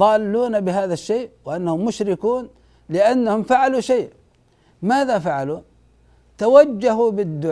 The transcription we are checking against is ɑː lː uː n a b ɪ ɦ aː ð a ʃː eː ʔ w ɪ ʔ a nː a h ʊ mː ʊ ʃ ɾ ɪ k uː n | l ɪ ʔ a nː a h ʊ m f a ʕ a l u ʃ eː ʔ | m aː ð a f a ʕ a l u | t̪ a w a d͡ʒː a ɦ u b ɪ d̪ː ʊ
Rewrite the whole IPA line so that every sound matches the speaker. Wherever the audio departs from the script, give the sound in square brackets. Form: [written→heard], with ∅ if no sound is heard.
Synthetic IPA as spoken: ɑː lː uː n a b ɪ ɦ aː ð a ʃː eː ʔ w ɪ ʔ a nː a h ʊ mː ʊ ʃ ɾ ɪ k uː n | l ɪ ʔ a nː a h ʊ m f a ʕ a l u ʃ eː ʔ | m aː ð a f a ʕ a l u | t̪ a w a d͡ʒː a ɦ u b ɪ d̪ː ʊ